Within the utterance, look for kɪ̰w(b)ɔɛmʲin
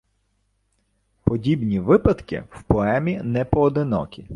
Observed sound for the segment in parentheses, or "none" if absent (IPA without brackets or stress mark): p